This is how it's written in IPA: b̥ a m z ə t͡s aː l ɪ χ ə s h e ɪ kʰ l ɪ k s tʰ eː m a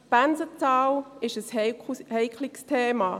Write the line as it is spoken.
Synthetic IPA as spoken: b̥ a n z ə t͡s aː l ɪ ʃ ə s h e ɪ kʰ l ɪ k s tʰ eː m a